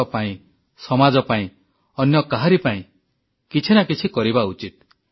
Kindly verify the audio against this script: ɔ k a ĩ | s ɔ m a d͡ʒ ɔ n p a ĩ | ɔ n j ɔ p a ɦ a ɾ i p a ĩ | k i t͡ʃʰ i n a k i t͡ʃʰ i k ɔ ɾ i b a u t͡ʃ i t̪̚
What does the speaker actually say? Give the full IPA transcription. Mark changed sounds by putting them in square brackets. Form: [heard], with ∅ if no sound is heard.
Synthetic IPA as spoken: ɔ [p] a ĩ | s ɔ m a d͡ʒ ɔ [∅] p a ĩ | ɔ n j ɔ [k] a ɦ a ɾ i p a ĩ | k i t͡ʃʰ i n a k i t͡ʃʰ i k ɔ ɾ i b a u t͡ʃ i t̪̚

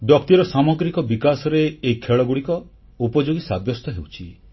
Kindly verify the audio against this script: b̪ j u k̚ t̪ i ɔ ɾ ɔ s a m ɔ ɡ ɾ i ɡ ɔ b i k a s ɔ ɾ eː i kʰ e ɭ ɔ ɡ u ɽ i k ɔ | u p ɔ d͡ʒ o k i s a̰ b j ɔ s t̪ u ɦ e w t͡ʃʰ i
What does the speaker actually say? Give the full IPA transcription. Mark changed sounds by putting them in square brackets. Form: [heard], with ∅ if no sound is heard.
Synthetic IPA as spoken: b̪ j [ɔ] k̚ t̪ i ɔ ɾ ɔ s a m ɔ ɡ ɾ i [k] ɔ b i k a s ɔ ɾ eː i kʰ e ɭ ɔ ɡ u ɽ i k ɔ | u p ɔ d͡ʒ o [ɡ] i s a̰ b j ɔ s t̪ [ɔ] ɦ e w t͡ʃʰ i

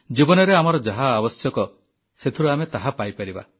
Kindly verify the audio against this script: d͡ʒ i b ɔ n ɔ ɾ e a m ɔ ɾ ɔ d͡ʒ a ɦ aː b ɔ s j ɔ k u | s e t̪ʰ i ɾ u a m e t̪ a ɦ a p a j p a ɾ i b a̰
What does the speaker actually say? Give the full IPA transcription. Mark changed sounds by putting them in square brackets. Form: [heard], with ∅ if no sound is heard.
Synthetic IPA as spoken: d͡ʒ i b ɔ n ɔ ɾ e a m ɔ ɾ ɔ d͡ʒ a ɦ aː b ɔ s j ɔ k [ɔ] | s e t̪ʰ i ɾ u a m e t̪ a ɦ a p a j p a ɾ i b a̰

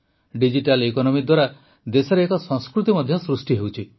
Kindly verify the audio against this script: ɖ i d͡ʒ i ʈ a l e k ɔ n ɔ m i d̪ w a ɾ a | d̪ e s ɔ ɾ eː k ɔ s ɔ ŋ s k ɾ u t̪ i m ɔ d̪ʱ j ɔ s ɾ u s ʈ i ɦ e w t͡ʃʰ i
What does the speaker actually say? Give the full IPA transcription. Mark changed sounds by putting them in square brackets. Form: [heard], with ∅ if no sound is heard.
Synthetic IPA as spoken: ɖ i d͡ʒ i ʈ a l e k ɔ n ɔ m i d̪ w a ɾ a | d̪ e s ɔ ɾ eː k ɔ s ɔ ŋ s k ɾ u t̪ i m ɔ d̪ʱ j ɔ s ɾ u s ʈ i ɦ e w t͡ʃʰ i

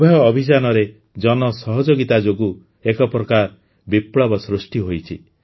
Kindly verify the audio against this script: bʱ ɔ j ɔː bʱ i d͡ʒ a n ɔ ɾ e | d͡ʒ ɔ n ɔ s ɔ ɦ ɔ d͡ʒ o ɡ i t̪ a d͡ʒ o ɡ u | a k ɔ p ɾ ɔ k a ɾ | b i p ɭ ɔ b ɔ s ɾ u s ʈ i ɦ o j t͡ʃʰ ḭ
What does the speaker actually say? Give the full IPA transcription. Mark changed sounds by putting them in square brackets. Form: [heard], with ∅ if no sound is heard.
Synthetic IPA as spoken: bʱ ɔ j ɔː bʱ i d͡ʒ a n ɔ ɾ e | d͡ʒ ɔ n ɔ s ɔ ɦ ɔ d͡ʒ o ɡ i t̪ a d͡ʒ o ɡ u | [e] k ɔ p ɾ ɔ k a ɾ | b i p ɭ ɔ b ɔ s ɾ u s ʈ i ɦ o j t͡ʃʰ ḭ

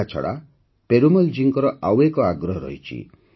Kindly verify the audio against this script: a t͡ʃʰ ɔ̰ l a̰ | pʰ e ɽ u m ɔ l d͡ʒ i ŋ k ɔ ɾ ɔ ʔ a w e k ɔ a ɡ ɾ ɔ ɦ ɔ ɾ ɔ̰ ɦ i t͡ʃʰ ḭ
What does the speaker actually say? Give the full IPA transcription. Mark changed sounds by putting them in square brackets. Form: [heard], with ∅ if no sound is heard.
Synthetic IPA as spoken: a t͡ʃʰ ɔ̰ [ɽ] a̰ | [p] e [ɾ] u m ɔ l d͡ʒ i ŋ k ɔ ɾ ɔ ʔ a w e k ɔ a ɡ ɾ ɔ ɦ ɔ ɾ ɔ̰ ɦ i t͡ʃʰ ḭ

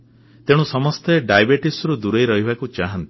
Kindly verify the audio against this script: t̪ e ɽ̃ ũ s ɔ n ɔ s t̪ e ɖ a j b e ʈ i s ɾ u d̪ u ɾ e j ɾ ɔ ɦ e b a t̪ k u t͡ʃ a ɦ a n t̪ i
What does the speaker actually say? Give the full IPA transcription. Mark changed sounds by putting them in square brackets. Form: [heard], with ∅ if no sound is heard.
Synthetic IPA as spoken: t̪ e ɽ̃ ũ s ɔ [m] ɔ s t̪ e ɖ a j b e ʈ i s ɾ u d̪ u ɾ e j ɾ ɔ ɦ [i] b a [∅] k u t͡ʃ a ɦ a n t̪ i

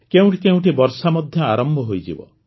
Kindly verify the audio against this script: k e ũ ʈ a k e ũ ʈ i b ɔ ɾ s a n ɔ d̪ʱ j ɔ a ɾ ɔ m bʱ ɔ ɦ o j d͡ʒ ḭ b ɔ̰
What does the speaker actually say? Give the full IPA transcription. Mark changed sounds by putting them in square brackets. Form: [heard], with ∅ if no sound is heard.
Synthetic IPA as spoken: k e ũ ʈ [i] k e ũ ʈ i b ɔ ɾ s a [m] ɔ d̪ʱ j ɔ a ɾ ɔ m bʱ ɔ ɦ o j d͡ʒ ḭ b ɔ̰

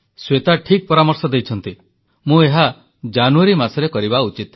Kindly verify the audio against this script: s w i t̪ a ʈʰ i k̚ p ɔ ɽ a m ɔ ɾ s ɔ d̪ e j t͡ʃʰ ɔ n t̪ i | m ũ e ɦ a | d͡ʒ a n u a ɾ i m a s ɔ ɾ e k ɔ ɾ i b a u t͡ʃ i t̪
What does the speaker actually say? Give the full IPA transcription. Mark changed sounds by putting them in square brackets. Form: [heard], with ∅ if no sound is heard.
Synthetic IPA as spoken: s w [e] t̪ a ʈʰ i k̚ p ɔ [ɾ] a m ɔ ɾ s ɔ d̪ e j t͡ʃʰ ɔ n t̪ i | m ũ e ɦ a | d͡ʒ a n u a ɾ i m a s ɔ ɾ e k ɔ ɾ i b a u t͡ʃ i t̪

